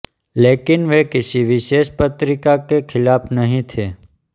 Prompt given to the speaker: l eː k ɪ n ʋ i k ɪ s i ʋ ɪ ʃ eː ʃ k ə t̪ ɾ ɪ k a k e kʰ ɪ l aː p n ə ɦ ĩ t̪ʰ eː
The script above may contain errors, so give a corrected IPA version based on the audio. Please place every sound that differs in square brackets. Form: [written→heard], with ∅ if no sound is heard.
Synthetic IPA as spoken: l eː k ɪ n ʋ [i→e] k ɪ s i ʋ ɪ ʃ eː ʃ [k→p] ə t̪ ɾ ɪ k a k e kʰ ɪ l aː p n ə ɦ ĩ t̪ʰ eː